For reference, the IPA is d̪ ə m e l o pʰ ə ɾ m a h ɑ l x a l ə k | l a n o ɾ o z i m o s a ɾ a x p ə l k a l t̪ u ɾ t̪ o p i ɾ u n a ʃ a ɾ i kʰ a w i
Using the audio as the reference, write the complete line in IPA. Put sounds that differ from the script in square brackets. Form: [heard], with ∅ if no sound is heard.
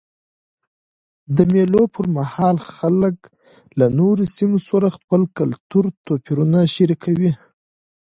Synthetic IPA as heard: d̪ ə m e l o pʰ ə ɾ m a h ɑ l x a l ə k | l a n o ɾ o [s] i m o s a ɾ a x p ə l k a l t̪ u ɾ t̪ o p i ɾ u n a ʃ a ɾ i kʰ a w i